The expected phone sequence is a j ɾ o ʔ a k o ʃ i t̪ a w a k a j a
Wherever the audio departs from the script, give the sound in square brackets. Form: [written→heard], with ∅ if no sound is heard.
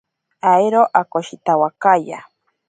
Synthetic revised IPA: a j ɾ o ʔ a k o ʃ i t̪ a w a k a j a